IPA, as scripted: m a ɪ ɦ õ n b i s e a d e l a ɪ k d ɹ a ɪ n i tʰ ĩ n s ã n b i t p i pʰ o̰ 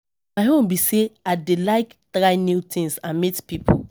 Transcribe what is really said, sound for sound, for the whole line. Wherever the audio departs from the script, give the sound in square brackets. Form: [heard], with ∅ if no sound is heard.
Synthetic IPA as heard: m a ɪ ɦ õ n b i s e a d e l a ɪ k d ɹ a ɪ n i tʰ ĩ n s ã n [m] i t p i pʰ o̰

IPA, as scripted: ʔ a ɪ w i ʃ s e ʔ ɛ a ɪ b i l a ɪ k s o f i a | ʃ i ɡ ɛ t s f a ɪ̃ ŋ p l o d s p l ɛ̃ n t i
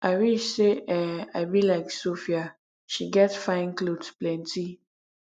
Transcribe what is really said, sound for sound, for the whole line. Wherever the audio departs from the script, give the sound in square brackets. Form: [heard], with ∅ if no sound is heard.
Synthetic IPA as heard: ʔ a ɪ w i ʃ s e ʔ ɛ a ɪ b i l a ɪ k s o f i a | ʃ i ɡ ɛ t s f a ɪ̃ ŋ [k] l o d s p l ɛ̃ n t i

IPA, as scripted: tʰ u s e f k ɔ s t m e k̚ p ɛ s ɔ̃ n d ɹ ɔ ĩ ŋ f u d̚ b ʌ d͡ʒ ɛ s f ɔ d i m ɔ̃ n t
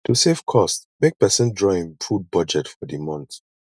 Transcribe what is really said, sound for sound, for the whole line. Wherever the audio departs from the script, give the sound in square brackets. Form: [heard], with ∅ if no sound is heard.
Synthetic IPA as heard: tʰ u s e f [kʰ] ɔ s t m e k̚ p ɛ s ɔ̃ n d ɹ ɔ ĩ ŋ f u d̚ b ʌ d͡ʒ ɛ [t] f ɔ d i m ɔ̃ n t

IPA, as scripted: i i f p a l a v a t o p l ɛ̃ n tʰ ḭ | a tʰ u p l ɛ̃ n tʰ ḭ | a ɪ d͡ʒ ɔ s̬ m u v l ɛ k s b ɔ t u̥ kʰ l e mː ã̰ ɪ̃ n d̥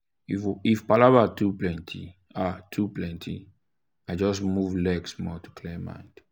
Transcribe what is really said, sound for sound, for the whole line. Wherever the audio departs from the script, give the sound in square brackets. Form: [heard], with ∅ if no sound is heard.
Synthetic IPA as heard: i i f p a l a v a t [u] p l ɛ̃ n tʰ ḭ | a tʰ u p l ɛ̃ n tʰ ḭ | a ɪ d͡ʒ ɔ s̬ m u v l ɛ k s [m] ɔ t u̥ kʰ l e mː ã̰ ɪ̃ n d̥

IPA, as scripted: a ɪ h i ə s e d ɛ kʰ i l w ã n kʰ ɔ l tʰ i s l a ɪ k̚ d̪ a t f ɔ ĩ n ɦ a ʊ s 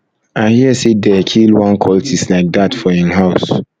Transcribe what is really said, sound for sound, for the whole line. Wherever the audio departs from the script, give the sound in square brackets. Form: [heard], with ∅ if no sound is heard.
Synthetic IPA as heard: a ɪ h i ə s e d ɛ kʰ i l w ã n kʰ ɔ l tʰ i s l a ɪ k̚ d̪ a t f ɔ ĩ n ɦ a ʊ s

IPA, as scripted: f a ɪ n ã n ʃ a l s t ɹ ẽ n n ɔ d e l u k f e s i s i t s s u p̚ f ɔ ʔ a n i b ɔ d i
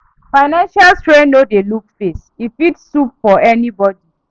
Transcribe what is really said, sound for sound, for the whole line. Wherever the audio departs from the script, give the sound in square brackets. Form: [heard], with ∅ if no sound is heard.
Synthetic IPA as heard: f a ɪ n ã n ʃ a l s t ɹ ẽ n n [o] d e l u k f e s i [f] i t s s u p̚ f ɔ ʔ [ɛ] n i b ɔ d i

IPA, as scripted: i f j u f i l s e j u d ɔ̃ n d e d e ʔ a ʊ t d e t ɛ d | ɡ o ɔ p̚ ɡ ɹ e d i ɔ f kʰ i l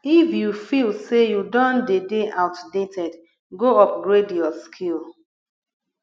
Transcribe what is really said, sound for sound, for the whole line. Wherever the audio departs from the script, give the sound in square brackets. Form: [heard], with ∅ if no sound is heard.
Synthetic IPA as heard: i f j u f i l s e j u d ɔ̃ n d e d e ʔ a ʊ t d e t ɛ d | ɡ o ɔ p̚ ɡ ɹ e d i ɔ [s] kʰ i l

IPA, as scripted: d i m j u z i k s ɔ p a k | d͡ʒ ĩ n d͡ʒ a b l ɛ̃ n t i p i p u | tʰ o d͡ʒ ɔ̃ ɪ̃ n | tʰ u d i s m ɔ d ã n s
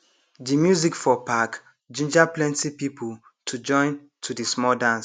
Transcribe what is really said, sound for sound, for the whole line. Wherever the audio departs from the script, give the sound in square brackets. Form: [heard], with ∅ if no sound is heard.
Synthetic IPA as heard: d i m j u z i k [f] ɔ p a k | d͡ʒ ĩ n d͡ʒ a [p] l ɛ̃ n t i p i p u | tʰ [u] d͡ʒ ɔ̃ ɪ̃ n | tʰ u d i s m ɔ d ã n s

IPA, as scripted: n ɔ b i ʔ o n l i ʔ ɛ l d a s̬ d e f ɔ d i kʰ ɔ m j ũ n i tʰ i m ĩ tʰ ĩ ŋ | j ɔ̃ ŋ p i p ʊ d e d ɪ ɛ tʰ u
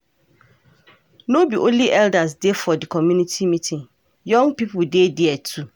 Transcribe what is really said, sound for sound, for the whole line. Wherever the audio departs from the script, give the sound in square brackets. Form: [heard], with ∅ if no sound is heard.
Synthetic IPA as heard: n [o] b i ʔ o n l i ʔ ɛ l d a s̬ d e f ɔ d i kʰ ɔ m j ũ n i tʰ i m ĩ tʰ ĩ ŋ | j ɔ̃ ŋ p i p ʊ d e d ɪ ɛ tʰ u

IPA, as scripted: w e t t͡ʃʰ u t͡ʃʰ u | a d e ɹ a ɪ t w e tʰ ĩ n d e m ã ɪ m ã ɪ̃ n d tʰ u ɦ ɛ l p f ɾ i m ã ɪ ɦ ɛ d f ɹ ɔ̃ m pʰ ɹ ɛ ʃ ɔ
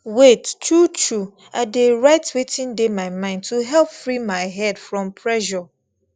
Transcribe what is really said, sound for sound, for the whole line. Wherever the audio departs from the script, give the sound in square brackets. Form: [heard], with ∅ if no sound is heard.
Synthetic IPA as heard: w e t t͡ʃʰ u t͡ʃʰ u | a d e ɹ a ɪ t w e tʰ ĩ n d e m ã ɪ m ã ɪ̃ n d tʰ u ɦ ɛ l p f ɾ i m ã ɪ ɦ ɛ d f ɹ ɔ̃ m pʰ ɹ ɛ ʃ ɔ

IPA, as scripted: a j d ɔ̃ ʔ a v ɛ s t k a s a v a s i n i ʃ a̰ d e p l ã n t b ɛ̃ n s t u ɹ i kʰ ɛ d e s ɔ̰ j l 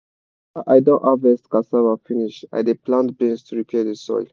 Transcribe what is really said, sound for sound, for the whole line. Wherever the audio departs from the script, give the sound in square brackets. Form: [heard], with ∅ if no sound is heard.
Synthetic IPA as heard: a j d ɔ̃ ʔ a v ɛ s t k a s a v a [f] i n i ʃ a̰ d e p l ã n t b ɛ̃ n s t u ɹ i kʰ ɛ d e s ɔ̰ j l

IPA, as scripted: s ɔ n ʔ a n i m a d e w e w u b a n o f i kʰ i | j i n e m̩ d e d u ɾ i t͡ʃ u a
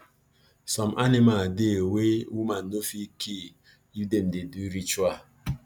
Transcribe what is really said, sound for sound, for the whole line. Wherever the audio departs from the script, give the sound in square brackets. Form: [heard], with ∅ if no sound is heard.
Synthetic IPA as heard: s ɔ [m] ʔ a n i m a d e w e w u [m] a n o f i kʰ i | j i [d] e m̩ d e d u ɾ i t͡ʃ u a

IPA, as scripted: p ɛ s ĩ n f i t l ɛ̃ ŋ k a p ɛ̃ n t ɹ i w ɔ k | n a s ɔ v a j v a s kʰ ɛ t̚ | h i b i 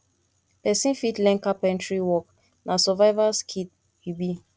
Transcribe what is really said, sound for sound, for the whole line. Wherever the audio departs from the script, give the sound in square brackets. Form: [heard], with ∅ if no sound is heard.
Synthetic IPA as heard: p ɛ s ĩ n f i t l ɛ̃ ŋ k a p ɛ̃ n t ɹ i w ɔ k | n a s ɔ v a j v a s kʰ [i] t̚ | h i b i

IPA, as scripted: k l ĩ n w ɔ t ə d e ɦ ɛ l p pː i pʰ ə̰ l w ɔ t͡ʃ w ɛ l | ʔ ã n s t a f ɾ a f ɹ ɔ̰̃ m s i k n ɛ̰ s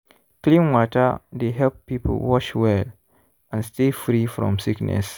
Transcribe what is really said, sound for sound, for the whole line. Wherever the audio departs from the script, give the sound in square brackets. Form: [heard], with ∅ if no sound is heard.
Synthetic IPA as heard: k l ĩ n w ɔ t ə d e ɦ ɛ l p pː i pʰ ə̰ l w ɔ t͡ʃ w ɛ l | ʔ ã n s t [e] f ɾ [i] f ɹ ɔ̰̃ m s i k n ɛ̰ s

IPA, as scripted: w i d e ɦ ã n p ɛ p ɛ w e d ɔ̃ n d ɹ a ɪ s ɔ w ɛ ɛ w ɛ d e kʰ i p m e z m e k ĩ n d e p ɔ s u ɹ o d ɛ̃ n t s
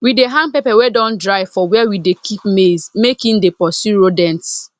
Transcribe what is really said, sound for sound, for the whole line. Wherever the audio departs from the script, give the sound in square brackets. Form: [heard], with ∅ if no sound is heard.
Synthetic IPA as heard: w i d e ɦ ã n p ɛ p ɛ w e d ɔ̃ n d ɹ a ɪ [f] ɔ w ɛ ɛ w [i] d e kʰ i p m e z m e k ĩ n d e p ɔ s u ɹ o d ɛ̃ n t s

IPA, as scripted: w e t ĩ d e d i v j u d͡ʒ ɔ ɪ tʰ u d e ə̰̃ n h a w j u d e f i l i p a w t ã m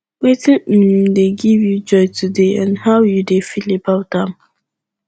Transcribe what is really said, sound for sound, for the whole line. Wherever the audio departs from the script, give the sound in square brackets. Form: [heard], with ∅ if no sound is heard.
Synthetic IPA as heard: w e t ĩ d e [ɡ] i v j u d͡ʒ ɔ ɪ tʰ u d e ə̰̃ n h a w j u d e f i l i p a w t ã m

